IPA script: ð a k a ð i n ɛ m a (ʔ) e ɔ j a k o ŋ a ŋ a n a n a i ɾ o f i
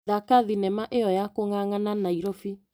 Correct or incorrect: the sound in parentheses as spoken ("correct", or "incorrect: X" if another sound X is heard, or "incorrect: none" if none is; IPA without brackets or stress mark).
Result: correct